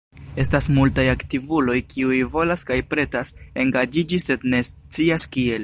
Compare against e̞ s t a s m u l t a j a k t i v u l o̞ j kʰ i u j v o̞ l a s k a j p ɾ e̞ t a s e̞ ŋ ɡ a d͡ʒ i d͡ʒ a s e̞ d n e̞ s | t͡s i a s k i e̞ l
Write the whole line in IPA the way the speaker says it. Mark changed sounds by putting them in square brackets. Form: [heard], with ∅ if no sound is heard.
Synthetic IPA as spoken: e̞ s t a s m u l t a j a k t i v u l o̞ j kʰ i u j v o̞ l a s k a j p ɾ e̞ t a s e̞ ŋ ɡ a d͡ʒ i d͡ʒ [i] s e̞ d n e̞ s | t͡s i a s k i e̞ l